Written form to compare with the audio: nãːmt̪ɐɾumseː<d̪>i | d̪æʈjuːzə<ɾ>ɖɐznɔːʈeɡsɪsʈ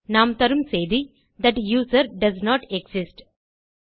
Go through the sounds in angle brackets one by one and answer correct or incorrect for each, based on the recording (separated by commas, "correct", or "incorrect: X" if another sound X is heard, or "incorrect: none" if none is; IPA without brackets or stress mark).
correct, correct